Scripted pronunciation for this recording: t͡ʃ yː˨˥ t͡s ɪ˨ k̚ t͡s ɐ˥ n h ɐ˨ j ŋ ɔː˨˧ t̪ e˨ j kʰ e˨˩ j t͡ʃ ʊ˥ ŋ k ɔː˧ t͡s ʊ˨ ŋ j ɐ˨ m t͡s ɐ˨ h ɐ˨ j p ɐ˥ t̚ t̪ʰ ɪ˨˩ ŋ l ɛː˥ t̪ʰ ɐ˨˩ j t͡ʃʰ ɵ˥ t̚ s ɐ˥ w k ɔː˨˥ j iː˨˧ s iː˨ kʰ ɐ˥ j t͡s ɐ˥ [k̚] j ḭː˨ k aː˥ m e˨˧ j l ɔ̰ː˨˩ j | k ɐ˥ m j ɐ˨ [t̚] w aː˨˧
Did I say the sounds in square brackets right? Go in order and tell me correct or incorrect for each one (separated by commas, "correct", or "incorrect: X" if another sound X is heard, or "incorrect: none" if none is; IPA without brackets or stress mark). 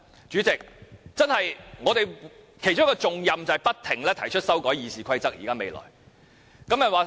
correct, correct